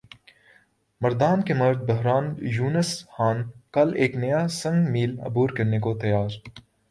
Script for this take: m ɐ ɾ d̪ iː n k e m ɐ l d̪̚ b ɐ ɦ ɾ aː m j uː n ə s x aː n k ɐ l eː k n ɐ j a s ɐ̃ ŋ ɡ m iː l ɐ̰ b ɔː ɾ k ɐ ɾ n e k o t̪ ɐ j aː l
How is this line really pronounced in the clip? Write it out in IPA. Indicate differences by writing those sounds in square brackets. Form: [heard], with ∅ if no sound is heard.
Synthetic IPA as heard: m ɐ ɾ d̪ [aː] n k e m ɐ [ɾ] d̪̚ b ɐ ɦ ɾ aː [n] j uː n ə s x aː n k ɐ l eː k n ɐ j a s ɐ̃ ŋ ɡ m iː l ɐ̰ b [uː] ɾ k ɐ ɾ n e k o t̪ ɐ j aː [ɾ]